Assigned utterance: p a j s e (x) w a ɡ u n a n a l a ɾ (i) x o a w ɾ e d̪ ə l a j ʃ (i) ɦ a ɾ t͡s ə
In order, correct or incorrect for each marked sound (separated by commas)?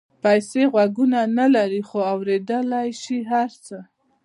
incorrect, correct, correct